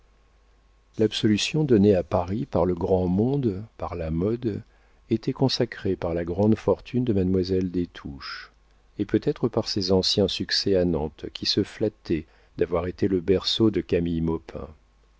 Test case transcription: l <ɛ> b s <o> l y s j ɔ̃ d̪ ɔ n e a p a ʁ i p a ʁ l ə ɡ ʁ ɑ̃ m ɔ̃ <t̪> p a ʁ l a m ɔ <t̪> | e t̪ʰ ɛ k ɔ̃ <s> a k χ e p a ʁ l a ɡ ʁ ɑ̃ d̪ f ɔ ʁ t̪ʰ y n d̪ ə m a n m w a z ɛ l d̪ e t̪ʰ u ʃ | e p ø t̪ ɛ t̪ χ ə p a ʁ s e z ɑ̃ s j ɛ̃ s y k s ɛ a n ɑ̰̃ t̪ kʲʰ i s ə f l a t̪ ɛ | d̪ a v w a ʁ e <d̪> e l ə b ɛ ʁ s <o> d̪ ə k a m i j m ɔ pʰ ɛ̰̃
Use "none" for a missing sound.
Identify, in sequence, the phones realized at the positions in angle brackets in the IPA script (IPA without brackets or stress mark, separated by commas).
a, ɔ, d̪, d̪, s, t̪, o